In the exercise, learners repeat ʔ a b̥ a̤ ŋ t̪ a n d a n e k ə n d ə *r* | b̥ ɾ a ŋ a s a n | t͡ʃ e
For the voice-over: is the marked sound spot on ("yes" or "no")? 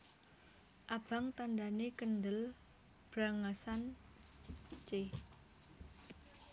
no